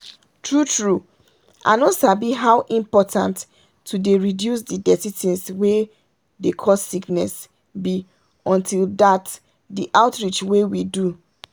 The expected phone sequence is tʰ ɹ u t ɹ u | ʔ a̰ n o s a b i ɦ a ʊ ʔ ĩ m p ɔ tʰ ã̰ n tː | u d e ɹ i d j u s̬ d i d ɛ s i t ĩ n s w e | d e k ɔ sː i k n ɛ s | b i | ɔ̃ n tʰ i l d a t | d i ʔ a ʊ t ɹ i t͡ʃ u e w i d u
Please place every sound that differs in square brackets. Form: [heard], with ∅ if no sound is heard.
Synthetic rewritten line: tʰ ɹ u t ɹ u | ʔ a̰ n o s a b i ɦ a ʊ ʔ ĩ m p ɔ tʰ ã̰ n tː | u d e ɹ i d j u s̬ d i d ɛ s i t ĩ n s w e | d e [kʰ] ɔ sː i k n ɛ s | b i | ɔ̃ n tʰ i l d a t | d i ʔ a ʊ t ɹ i t͡ʃ [w] e w i d u

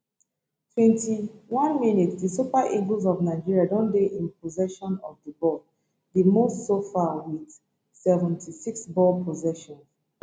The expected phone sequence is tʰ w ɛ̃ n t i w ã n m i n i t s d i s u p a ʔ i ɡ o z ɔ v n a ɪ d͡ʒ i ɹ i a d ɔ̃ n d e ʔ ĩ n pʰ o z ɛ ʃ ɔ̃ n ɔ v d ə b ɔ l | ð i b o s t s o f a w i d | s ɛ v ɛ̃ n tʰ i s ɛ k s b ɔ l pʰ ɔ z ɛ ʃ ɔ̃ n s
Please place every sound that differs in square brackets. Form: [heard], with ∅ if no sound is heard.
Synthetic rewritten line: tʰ w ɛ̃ n t i w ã n m i n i t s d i s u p a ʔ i ɡ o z ɔ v n a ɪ d͡ʒ i ɹ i a d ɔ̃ n d e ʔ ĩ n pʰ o z ɛ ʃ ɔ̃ n ɔ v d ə b ɔ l | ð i [m] o s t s o f a w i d | s ɛ v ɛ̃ n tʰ i s [i] k s b ɔ l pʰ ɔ z ɛ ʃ ɔ̃ n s

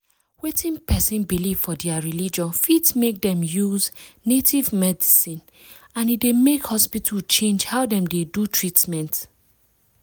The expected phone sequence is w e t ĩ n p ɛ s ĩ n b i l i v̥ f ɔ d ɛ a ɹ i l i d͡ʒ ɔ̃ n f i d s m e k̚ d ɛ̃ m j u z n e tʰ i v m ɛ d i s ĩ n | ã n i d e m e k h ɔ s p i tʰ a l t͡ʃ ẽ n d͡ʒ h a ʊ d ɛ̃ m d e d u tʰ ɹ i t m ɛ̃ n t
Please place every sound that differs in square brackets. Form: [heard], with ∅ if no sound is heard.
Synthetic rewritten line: w e t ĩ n p ɛ s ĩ n b i l i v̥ f ɔ d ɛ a ɹ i l i d͡ʒ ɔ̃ n f i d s m e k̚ d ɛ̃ m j u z n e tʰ i v m ɛ d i s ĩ n | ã n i d e m e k h ɔ s p i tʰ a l t͡ʃ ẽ n d͡ʒ h a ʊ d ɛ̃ m d e d u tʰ ɹ i t m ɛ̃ n t

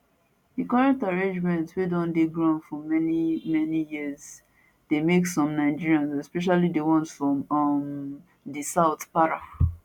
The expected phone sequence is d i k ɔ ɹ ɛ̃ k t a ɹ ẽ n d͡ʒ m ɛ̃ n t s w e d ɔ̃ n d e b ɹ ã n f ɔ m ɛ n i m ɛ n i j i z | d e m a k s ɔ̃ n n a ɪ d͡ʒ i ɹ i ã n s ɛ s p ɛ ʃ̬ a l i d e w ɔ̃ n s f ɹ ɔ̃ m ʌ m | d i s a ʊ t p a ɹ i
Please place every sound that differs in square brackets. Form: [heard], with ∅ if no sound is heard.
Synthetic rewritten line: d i k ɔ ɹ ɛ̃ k t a ɹ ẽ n d͡ʒ m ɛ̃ n t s w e d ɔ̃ n d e [ɡ] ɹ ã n f ɔ m ɛ n i m ɛ n i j i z | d e m [e] k s ɔ̃ [m] n a ɪ d͡ʒ i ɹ i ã n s ɛ s p ɛ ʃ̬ a l i d e w ɔ̃ n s f ɹ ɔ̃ m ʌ m | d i s a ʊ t p a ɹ [a]

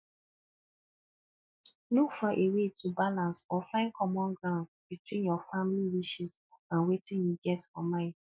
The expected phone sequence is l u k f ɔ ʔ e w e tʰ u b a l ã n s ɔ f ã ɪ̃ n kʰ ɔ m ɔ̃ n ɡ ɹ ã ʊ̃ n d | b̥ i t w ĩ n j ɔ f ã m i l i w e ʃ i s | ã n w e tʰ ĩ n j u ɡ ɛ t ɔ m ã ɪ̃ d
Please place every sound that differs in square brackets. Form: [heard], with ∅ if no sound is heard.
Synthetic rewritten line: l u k f ɔ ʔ e w e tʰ u b a l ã n s ɔ f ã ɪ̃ n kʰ ɔ m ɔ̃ n ɡ ɹ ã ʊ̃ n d | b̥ i t w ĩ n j ɔ f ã m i l i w [i] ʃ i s | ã n w e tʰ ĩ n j u ɡ ɛ t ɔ m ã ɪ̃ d

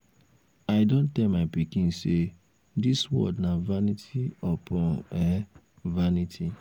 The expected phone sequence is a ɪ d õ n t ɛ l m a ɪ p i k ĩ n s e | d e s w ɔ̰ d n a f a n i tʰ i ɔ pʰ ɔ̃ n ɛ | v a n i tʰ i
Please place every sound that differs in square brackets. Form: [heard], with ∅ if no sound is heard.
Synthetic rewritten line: a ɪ d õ n t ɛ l m a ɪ p i k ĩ n s e | d [i] s w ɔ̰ d n a [v] a n i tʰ i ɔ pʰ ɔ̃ n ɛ | v a n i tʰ i

